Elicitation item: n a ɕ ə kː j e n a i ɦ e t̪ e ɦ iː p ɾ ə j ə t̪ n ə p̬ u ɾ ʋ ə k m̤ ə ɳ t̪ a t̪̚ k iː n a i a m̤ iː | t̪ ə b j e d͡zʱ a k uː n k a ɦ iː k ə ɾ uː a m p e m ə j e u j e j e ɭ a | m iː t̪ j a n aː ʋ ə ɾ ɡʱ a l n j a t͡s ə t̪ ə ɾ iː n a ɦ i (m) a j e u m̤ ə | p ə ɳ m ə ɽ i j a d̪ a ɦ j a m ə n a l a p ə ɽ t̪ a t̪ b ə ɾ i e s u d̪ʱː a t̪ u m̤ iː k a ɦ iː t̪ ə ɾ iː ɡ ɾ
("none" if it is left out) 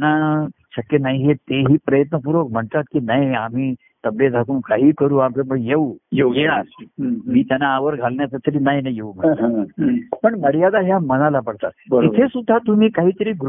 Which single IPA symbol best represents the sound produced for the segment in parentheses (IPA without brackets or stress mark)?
n